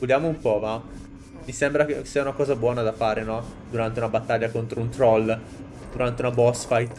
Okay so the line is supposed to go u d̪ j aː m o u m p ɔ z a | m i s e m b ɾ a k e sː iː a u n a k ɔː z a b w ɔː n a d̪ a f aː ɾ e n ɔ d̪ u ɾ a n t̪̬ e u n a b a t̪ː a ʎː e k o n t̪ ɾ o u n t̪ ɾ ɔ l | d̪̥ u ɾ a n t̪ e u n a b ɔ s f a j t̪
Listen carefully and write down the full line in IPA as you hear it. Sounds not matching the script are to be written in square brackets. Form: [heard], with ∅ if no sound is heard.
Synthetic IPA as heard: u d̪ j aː m o u m p ɔ [v] a | m i s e m b ɾ a k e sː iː a u n a k ɔː z a b w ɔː n a d̪ a f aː ɾ e n ɔ d̪ u ɾ a n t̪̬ e u n a b a t̪ː a ʎː [a] k o n t̪ ɾ o u n t̪ ɾ ɔ l | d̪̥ u ɾ a n t̪ e u n a b ɔ s f a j t̪